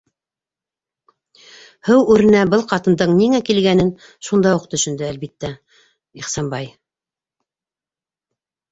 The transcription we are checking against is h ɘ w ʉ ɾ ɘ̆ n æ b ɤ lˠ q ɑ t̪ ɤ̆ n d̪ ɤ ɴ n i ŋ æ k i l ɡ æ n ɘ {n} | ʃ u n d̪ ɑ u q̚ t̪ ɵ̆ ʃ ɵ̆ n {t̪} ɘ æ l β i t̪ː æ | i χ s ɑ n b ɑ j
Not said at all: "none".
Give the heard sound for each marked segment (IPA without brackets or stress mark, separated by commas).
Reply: n, d̪